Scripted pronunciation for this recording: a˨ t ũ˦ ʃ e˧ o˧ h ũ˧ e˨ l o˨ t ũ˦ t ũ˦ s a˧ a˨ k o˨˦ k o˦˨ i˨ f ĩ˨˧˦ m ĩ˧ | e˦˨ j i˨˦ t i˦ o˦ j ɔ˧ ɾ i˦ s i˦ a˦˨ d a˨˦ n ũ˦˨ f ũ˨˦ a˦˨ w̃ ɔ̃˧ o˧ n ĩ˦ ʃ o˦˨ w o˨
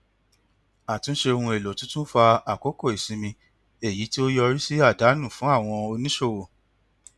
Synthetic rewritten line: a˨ t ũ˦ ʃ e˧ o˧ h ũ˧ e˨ l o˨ t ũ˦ t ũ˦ f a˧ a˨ k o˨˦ k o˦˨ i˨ s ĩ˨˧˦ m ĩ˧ | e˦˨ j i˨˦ t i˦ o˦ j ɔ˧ ɾ i˦ s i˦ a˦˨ d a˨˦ n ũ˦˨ f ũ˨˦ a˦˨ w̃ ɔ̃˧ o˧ n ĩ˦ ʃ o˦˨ w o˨